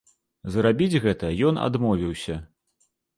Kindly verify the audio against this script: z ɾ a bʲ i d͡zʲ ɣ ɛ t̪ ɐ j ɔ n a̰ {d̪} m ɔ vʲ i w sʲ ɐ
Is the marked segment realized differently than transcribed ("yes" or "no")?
no